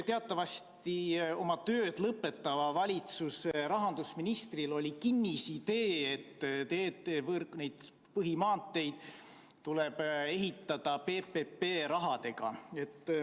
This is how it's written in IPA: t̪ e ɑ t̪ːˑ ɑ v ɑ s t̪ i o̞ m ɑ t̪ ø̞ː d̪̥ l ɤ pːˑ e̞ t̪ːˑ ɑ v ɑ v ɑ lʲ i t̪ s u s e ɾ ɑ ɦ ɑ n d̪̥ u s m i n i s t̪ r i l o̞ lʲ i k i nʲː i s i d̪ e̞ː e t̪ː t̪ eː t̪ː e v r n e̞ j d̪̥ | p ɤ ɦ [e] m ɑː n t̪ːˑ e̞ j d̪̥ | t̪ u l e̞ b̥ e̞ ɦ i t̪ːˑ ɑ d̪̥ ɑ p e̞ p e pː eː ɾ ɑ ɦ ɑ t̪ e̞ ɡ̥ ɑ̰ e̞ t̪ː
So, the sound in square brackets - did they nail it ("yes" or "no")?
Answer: no